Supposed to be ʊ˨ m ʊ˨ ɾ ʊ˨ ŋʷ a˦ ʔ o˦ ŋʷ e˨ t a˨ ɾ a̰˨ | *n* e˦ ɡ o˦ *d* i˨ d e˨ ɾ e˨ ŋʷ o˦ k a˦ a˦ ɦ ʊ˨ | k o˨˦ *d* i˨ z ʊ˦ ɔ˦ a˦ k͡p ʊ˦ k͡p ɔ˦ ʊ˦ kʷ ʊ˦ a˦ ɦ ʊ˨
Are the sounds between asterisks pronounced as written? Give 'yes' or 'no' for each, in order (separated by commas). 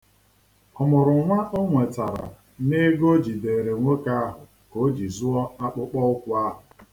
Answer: yes, no, no